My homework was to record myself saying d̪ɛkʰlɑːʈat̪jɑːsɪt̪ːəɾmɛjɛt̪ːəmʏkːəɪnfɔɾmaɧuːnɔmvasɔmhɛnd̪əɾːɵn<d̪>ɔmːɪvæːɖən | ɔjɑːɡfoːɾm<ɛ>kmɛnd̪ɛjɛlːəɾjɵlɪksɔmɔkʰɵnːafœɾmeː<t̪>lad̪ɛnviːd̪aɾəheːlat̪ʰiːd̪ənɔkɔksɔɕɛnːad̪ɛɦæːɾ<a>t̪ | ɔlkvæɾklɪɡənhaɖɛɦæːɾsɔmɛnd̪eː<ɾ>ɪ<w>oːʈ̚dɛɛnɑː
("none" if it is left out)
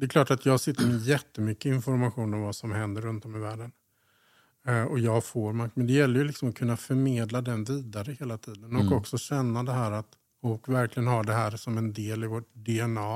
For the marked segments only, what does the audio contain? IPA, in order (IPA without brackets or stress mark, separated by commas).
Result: t̪, a, d̪, a, l, v